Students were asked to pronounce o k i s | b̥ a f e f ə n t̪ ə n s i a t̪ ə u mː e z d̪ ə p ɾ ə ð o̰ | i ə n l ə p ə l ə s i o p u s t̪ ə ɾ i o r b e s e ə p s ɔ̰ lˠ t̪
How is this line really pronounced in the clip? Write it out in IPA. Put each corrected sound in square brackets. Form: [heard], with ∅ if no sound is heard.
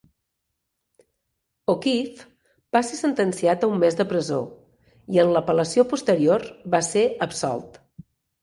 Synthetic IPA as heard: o k i [f] | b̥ a [s] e [s] ə n t̪ ə n s i a t̪ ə u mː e z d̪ ə p ɾ ə [z] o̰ | i ə n l ə p ə l ə s i o p u s t̪ ə ɾ i o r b [a] s e ə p s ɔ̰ lˠ t̪